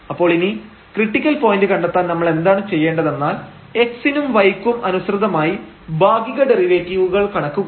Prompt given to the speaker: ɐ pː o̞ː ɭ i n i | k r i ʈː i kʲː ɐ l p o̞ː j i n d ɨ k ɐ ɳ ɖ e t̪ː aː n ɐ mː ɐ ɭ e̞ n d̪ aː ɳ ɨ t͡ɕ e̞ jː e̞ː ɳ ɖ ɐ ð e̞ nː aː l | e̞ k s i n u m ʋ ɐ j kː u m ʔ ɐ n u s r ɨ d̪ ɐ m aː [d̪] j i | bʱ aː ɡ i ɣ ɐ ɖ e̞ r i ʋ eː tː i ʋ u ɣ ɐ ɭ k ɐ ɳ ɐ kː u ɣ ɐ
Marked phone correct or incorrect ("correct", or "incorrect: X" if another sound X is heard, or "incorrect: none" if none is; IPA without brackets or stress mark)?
incorrect: none